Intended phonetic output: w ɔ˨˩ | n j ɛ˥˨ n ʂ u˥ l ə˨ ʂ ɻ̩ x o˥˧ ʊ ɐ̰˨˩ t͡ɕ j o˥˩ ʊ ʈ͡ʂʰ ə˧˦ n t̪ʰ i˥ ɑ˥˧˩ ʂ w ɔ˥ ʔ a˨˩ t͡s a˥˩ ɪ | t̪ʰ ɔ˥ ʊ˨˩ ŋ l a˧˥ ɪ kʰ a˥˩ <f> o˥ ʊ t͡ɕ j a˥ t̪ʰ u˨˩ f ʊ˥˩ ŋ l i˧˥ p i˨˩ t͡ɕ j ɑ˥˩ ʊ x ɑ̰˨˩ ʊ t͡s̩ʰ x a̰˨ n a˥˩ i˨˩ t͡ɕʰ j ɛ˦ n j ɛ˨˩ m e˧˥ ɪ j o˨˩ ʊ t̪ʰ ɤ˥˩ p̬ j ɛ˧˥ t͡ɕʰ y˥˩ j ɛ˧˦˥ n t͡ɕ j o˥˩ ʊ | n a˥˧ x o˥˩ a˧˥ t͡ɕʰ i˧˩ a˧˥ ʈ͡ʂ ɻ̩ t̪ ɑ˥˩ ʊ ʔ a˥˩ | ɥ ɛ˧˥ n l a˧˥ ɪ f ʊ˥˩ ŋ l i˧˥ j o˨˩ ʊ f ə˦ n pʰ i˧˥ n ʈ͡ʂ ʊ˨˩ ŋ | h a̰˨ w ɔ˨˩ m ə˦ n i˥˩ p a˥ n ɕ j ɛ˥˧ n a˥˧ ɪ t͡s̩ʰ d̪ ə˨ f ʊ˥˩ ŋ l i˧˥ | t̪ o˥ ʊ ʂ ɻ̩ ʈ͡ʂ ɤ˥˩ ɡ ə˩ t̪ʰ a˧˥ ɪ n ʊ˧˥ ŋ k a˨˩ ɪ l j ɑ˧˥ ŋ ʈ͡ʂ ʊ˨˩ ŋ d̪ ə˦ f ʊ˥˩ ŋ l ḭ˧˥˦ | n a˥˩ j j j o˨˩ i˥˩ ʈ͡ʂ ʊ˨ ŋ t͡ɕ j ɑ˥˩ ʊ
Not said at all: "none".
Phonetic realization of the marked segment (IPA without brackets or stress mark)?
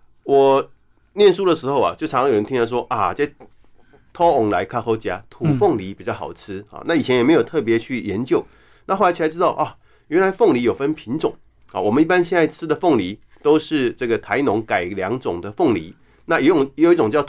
x